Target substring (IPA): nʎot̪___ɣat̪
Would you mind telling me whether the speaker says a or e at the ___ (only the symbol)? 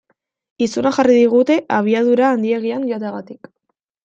e